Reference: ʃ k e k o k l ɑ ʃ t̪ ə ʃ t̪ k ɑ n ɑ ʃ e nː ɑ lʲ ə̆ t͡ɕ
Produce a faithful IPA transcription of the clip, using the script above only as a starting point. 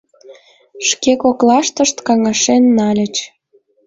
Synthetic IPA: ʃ k e k o k l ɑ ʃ t̪ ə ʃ t̪ k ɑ ŋ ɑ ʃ e nː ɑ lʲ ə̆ t͡ɕ